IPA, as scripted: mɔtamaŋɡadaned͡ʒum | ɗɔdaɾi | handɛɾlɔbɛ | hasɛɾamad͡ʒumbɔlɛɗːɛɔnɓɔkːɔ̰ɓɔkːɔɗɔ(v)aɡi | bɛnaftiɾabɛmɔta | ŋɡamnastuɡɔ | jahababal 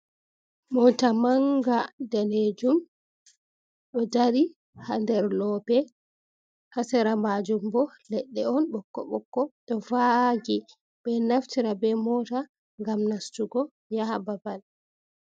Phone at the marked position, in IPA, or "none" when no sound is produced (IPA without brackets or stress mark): v